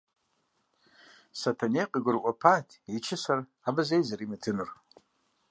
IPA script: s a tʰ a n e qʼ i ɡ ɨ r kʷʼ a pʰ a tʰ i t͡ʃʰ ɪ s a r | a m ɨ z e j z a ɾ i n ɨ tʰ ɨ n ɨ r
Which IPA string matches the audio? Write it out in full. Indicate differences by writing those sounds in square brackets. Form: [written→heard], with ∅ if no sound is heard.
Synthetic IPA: s a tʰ a n e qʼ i ɡ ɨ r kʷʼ a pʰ a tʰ i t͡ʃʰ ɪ s a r | a [m→b] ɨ z e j z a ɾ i [n→m] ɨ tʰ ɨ n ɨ r